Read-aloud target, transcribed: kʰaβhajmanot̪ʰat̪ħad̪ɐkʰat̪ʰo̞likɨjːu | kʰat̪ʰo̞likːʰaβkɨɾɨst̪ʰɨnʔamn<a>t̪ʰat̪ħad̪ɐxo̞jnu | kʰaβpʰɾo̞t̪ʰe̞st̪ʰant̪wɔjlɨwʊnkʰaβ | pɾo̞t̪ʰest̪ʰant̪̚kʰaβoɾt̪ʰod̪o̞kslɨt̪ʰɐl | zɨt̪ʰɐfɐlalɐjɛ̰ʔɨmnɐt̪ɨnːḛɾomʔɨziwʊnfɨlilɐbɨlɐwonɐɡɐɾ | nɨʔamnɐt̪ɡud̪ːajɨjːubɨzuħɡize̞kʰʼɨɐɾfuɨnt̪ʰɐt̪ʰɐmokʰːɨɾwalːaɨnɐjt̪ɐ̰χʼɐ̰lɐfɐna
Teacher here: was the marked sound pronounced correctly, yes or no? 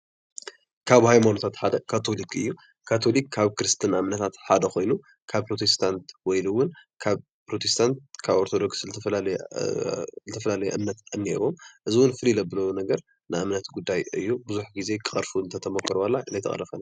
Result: no